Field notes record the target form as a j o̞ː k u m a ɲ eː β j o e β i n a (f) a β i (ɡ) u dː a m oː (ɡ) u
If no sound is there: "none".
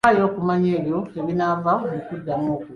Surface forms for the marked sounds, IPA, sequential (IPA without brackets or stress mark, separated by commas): v, k, k